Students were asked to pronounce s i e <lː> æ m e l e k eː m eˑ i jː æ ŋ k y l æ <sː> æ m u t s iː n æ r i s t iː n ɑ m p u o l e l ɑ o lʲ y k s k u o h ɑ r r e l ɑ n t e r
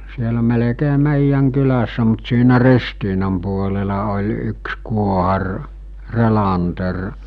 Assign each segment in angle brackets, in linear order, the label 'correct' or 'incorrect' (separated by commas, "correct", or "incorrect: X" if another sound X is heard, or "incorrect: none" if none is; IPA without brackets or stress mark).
incorrect: l, correct